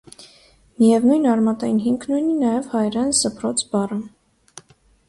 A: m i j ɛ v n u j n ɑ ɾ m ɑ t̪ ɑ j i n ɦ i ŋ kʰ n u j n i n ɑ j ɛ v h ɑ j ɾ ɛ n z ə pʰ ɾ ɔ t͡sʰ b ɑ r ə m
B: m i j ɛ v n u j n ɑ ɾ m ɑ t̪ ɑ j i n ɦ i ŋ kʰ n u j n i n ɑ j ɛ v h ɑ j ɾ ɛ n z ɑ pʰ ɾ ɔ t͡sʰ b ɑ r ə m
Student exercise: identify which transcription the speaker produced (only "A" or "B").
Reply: A